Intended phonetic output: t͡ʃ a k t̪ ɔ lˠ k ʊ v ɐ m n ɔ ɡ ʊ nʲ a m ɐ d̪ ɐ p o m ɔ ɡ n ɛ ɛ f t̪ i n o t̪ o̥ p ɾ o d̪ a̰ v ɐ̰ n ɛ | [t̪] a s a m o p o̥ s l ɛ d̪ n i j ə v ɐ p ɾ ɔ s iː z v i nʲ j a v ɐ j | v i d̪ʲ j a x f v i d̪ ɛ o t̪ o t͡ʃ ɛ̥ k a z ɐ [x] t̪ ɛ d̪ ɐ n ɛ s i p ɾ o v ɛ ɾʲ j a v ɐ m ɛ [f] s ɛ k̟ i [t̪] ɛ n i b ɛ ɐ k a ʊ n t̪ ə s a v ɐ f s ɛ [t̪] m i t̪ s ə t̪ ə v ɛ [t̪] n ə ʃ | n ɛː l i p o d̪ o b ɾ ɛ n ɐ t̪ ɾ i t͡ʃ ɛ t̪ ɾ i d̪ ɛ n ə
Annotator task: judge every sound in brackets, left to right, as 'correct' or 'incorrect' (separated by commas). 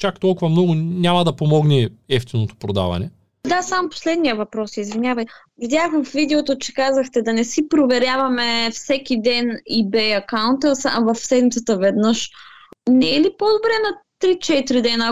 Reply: incorrect, correct, correct, incorrect, incorrect, incorrect